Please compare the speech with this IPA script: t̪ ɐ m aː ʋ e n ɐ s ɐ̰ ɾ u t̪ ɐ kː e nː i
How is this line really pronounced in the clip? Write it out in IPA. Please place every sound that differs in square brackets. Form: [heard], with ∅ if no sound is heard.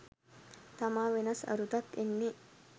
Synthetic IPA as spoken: t̪ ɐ m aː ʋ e n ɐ s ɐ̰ ɾ u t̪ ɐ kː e nː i